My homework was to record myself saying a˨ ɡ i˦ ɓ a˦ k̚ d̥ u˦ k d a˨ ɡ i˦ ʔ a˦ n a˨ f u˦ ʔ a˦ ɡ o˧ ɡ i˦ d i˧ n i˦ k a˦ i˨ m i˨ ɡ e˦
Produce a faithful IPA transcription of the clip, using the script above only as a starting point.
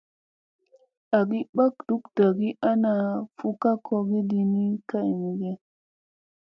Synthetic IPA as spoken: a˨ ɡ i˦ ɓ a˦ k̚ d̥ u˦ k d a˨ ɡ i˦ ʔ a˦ n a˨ f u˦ k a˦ k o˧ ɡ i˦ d i˧ n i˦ k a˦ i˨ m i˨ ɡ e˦